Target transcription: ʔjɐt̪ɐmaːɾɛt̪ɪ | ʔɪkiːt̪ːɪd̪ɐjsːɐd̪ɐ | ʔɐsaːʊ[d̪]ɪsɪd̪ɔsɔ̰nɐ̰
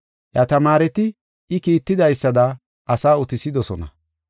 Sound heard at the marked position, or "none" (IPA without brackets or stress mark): t̪